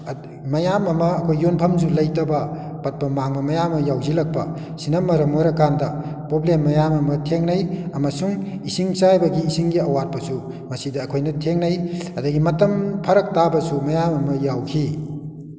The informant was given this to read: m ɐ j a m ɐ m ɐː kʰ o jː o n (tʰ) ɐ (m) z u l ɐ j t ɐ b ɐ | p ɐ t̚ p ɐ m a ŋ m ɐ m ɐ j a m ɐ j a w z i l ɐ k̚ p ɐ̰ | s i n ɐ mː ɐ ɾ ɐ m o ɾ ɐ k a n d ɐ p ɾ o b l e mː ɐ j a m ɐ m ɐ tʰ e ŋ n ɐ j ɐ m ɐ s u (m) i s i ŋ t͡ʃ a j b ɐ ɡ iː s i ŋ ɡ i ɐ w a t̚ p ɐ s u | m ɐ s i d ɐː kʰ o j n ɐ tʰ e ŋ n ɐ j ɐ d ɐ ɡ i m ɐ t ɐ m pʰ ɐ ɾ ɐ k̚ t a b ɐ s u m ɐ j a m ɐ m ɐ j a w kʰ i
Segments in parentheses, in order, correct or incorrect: incorrect, correct, incorrect

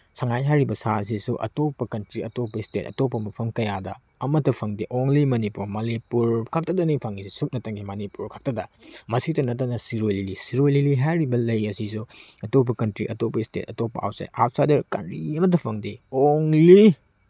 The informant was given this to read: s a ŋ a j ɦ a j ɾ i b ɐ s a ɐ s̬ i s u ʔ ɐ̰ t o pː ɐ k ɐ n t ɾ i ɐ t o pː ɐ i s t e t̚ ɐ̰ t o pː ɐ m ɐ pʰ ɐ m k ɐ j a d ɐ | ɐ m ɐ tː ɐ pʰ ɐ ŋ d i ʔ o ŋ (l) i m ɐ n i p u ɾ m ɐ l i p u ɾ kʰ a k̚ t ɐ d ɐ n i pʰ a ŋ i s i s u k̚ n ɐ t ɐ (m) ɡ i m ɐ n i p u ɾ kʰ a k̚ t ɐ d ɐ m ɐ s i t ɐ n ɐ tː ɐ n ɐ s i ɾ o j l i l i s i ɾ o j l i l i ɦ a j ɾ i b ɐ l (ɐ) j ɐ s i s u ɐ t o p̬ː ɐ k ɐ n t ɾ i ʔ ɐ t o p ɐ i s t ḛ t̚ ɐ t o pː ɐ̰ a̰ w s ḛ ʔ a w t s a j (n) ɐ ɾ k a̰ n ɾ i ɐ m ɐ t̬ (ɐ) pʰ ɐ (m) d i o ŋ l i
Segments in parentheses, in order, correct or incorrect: correct, incorrect, correct, incorrect, correct, incorrect

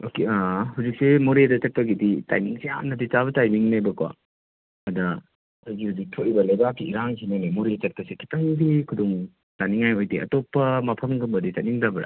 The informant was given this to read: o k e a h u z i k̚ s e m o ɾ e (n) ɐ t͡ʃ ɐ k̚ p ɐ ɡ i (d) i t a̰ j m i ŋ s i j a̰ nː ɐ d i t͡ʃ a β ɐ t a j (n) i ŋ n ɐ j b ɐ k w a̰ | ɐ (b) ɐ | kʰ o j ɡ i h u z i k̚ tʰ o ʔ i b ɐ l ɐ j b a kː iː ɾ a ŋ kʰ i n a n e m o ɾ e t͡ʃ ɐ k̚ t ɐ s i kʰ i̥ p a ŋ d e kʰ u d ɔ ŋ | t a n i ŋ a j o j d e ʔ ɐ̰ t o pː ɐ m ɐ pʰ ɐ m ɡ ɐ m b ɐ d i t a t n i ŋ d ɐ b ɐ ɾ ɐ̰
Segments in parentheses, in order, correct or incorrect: incorrect, correct, incorrect, incorrect

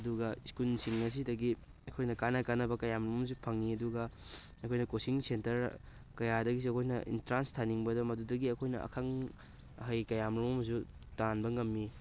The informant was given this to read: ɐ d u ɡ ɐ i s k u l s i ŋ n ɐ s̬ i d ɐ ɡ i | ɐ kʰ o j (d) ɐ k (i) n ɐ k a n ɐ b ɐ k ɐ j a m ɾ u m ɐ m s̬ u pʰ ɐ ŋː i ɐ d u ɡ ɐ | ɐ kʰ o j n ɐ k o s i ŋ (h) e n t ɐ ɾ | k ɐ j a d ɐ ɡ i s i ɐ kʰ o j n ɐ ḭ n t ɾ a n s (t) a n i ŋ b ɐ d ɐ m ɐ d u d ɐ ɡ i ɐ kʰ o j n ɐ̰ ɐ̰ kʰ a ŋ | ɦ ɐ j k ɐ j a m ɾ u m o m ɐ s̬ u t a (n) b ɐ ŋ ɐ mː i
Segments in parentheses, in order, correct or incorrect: incorrect, incorrect, incorrect, incorrect, correct

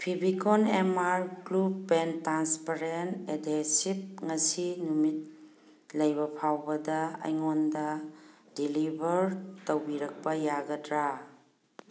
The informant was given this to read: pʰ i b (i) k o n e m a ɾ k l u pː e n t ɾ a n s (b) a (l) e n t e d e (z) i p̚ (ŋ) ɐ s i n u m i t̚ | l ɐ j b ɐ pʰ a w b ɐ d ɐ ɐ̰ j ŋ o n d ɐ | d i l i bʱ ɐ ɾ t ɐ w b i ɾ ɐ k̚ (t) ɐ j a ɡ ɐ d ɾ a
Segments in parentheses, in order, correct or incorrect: correct, incorrect, incorrect, incorrect, correct, incorrect

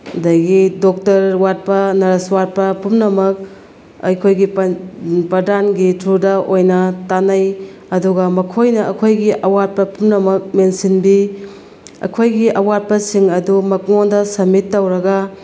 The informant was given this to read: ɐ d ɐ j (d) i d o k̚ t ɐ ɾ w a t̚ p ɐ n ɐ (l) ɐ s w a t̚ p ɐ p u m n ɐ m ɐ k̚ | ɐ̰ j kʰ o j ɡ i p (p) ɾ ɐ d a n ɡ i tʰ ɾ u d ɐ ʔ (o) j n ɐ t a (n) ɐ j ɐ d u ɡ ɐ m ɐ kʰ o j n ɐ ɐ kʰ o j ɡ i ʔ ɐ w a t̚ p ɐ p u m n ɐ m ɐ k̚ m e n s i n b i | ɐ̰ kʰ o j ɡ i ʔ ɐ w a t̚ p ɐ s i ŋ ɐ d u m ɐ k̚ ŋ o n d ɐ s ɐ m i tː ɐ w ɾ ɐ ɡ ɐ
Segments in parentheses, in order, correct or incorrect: incorrect, incorrect, correct, correct, correct

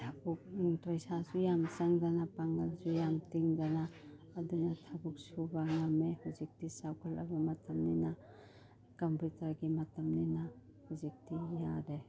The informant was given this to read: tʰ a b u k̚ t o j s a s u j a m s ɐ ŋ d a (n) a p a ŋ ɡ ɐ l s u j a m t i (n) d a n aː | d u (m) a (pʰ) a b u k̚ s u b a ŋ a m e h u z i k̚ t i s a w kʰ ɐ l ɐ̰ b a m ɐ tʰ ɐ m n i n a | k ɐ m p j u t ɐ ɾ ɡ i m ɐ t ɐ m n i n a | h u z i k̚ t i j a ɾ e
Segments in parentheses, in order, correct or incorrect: correct, incorrect, incorrect, incorrect

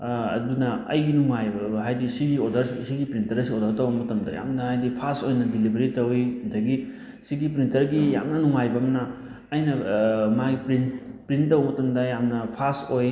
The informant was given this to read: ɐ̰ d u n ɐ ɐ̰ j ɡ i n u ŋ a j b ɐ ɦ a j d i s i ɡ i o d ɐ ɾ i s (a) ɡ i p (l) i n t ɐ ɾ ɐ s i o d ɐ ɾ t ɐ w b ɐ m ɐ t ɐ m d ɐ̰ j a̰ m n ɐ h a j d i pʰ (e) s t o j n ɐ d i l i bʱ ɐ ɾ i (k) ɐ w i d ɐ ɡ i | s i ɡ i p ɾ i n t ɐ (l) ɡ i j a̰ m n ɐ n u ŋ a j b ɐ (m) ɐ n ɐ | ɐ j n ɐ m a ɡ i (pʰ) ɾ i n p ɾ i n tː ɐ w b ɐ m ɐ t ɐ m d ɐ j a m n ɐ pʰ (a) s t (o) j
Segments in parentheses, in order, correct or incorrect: incorrect, incorrect, incorrect, incorrect, incorrect, correct, incorrect, correct, correct

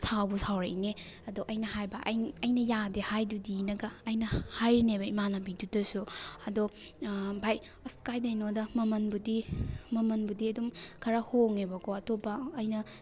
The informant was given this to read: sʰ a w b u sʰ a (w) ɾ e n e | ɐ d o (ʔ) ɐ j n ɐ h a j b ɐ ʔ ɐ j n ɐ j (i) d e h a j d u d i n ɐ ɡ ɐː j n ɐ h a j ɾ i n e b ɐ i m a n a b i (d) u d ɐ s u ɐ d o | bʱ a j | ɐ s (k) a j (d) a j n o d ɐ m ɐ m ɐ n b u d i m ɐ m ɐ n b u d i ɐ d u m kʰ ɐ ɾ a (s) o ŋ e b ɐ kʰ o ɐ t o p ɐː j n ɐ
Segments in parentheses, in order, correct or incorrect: correct, correct, incorrect, correct, correct, correct, incorrect

